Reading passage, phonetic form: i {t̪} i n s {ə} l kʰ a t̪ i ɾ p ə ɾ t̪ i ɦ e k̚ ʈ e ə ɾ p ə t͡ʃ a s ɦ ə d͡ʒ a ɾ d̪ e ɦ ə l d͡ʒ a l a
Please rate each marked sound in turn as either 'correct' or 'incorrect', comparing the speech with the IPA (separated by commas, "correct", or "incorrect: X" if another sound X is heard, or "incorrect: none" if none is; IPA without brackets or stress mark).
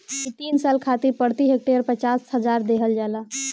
correct, incorrect: a